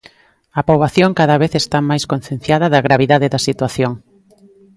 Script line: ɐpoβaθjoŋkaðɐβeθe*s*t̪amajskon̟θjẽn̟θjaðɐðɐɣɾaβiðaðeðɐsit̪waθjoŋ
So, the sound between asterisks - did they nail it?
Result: yes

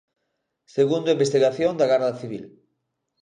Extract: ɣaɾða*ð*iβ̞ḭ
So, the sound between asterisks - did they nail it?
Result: no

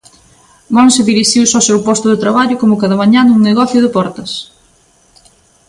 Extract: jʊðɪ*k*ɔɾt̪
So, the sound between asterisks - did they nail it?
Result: no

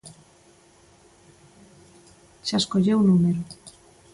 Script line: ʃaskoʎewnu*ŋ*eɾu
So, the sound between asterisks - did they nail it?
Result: no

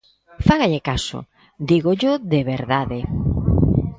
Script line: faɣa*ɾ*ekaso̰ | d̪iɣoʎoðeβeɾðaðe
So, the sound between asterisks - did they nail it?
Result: no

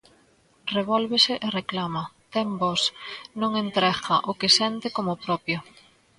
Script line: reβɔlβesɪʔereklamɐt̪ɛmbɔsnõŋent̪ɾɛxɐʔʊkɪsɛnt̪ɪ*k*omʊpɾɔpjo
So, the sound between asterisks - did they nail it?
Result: yes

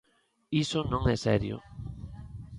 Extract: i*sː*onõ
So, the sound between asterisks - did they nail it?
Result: no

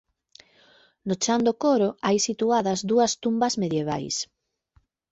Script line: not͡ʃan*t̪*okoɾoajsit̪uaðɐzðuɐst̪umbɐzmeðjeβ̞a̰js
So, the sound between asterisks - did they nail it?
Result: no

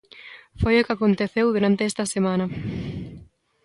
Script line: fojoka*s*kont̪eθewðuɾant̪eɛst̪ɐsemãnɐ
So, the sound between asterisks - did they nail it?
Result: no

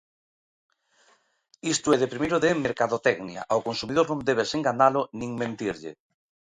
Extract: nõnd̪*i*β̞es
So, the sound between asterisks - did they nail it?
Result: no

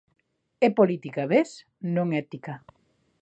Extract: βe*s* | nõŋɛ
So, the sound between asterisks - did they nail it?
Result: yes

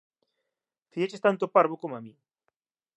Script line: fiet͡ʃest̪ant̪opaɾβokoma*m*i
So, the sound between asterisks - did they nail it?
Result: yes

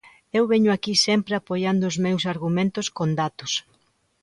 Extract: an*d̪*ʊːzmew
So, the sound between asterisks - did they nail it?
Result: yes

